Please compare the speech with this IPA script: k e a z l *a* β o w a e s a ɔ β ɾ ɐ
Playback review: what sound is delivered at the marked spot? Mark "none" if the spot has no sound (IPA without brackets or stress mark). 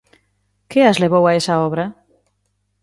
e